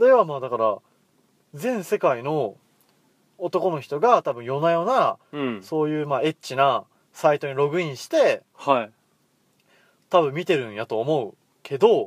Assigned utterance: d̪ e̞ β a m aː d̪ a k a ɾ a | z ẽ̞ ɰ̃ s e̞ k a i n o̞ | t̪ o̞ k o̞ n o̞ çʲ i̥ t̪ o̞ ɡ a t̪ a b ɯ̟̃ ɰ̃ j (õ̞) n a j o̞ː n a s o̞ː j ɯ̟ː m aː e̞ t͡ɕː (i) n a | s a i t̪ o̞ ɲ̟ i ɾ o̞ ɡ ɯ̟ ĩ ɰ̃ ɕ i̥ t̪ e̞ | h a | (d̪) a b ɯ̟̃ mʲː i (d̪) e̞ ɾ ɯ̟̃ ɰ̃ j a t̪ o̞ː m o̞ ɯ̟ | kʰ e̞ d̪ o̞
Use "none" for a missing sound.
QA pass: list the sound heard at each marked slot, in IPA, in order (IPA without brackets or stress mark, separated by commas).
o̞, i, t̪, t̪